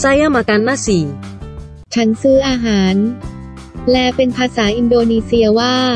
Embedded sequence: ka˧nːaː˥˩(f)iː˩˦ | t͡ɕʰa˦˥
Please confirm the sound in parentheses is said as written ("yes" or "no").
no